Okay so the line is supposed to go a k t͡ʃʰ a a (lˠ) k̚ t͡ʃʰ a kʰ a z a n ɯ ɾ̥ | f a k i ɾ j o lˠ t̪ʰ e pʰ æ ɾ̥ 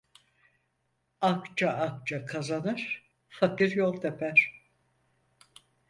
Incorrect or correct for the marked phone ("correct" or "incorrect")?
incorrect